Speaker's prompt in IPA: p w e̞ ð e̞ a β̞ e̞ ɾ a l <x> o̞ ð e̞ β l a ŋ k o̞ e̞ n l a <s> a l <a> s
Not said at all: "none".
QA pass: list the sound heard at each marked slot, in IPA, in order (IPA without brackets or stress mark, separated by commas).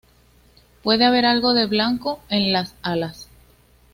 ɣ, s, a